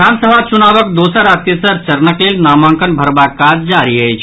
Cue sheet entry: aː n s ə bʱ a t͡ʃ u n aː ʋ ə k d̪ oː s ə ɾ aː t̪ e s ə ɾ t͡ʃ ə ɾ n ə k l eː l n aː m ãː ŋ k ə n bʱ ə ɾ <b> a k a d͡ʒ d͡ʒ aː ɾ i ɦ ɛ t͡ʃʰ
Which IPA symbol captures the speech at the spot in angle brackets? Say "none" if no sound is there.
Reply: b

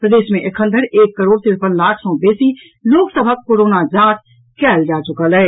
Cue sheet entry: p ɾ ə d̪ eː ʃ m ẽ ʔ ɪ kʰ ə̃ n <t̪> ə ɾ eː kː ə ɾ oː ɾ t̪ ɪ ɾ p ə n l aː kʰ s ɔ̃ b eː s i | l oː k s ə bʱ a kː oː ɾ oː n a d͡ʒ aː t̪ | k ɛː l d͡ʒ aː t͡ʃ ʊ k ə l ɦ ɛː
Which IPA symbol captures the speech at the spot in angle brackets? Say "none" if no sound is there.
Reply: d̪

